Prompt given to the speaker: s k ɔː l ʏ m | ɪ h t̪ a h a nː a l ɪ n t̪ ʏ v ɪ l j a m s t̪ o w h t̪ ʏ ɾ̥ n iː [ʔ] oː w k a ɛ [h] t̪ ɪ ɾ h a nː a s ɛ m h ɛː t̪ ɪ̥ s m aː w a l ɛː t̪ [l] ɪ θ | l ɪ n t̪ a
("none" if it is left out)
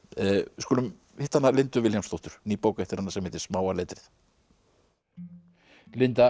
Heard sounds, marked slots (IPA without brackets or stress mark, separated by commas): p, h, ɾ